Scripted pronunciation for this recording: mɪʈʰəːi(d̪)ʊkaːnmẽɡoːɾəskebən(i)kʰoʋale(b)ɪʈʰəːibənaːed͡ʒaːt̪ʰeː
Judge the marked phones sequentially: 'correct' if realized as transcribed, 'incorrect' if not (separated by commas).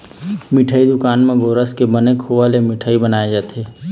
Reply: correct, incorrect, incorrect